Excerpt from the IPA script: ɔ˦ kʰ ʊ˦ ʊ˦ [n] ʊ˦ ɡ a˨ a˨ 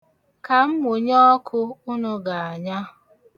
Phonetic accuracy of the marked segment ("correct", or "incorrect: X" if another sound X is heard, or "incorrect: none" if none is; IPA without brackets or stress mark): correct